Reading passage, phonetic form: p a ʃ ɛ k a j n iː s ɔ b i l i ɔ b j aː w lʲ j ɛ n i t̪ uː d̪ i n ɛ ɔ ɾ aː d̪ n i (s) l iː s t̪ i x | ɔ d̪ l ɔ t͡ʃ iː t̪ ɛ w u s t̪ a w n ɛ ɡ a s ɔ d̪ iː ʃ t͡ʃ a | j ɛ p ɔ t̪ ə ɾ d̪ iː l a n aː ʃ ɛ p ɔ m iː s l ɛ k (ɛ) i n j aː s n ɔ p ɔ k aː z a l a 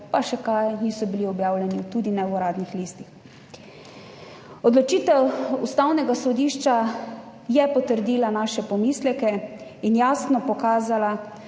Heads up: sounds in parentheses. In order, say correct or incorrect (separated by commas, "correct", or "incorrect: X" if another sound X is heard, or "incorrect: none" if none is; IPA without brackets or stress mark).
incorrect: x, correct